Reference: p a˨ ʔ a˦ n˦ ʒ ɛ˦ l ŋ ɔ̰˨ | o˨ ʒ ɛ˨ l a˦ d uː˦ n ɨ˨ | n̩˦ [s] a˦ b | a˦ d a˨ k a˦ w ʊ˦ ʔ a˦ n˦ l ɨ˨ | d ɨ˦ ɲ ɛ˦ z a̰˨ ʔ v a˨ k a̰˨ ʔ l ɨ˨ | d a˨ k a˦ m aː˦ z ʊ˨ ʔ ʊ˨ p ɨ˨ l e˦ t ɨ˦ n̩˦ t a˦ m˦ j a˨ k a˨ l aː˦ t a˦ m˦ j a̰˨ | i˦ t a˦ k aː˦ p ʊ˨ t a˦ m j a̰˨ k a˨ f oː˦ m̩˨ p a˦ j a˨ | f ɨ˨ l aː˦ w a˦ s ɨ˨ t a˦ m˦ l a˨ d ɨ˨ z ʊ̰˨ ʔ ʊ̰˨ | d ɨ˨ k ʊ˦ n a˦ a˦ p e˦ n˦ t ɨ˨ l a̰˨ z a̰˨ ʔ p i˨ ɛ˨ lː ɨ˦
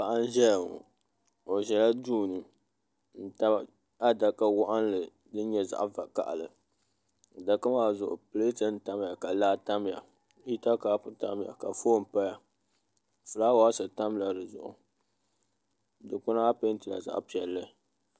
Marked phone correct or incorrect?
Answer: incorrect: t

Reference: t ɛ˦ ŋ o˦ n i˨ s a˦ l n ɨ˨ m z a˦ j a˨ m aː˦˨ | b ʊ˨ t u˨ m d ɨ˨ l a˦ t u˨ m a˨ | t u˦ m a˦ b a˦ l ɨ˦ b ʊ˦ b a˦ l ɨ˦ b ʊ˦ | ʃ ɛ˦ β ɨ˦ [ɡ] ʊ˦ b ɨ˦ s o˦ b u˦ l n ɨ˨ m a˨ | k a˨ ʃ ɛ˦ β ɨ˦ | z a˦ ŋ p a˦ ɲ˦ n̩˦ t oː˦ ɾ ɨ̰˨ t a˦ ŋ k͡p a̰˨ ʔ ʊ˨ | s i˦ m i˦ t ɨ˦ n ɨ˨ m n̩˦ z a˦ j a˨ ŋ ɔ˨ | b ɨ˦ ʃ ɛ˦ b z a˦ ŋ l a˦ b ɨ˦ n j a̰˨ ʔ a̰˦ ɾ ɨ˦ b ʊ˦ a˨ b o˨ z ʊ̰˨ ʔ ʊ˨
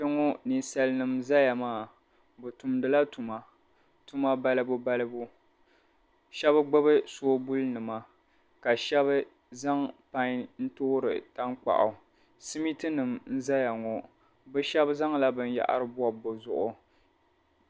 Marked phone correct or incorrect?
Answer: incorrect: ɡ͡b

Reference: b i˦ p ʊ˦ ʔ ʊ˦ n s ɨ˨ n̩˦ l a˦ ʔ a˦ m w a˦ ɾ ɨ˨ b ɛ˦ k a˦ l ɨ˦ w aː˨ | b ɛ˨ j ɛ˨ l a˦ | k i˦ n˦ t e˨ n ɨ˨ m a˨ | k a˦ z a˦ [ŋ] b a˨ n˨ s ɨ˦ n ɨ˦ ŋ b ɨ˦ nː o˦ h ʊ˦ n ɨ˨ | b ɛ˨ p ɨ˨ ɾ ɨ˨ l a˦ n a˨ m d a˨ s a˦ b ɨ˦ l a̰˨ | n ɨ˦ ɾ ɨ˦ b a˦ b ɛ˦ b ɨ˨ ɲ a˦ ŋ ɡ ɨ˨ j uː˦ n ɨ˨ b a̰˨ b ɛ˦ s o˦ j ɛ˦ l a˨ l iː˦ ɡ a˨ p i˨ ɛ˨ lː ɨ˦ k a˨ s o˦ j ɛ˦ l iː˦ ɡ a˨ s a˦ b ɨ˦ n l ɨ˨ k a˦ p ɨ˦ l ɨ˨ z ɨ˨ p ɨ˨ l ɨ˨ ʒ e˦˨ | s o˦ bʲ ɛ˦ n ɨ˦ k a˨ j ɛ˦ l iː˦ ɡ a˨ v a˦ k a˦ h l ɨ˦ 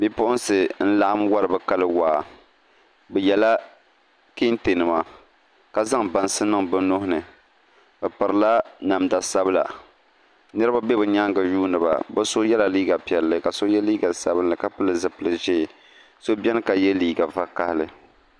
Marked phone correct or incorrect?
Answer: correct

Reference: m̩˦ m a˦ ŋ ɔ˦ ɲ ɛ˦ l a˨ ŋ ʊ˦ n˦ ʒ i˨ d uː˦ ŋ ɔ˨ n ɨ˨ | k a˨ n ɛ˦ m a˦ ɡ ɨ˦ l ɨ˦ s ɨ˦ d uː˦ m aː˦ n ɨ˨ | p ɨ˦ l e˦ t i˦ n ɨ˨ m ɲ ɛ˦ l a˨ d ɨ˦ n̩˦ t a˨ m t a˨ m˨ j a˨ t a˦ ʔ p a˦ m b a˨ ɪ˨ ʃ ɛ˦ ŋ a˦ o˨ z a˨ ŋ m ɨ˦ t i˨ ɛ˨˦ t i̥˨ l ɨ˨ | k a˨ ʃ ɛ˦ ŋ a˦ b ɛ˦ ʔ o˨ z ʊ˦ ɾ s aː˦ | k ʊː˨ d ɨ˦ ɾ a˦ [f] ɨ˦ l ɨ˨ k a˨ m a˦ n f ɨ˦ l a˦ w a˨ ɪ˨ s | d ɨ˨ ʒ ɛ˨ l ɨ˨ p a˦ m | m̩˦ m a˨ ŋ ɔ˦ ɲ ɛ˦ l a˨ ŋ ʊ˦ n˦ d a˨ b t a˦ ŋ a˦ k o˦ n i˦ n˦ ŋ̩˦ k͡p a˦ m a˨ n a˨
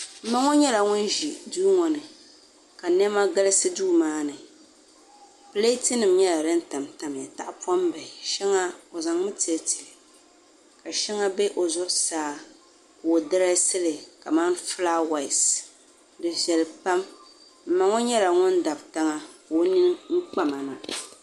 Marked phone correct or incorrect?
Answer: incorrect: s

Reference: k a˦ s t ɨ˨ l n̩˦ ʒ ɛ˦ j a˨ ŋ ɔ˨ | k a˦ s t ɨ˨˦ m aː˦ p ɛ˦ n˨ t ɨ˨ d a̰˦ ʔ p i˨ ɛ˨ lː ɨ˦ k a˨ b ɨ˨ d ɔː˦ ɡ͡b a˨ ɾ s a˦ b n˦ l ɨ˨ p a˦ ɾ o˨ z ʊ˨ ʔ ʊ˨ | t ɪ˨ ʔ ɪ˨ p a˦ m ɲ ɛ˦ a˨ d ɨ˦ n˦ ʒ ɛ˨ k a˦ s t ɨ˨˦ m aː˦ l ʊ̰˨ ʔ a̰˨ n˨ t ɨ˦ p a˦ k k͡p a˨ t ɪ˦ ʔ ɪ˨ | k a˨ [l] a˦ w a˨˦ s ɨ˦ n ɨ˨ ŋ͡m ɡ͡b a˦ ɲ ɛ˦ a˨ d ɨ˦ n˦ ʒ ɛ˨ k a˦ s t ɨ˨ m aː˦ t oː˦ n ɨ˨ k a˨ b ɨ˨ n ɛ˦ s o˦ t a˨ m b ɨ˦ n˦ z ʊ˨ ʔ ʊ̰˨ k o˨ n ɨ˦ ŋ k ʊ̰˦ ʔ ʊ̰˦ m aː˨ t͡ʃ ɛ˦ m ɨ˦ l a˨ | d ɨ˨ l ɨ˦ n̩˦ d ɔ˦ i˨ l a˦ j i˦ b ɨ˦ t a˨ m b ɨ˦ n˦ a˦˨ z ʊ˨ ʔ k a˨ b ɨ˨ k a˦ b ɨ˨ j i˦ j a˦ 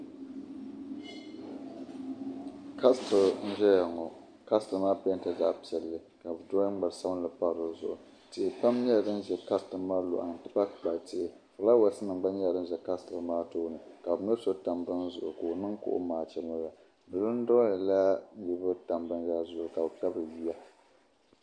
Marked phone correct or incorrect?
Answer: correct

